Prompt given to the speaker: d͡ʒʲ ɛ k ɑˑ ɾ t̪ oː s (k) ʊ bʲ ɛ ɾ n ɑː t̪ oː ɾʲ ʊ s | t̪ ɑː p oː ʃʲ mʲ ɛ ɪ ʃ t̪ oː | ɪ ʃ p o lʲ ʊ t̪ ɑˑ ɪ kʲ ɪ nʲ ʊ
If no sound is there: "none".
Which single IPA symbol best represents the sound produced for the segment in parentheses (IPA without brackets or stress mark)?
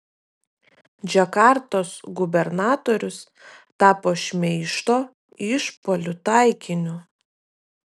ɡ